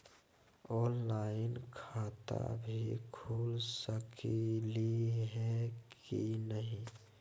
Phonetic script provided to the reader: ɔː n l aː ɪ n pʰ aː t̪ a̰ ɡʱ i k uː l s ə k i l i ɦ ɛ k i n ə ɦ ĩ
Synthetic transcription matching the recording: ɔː n l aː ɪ n kʰ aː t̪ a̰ bʱ i kʰ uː l s ə k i l i ɦ ɛ k i n ə ɦ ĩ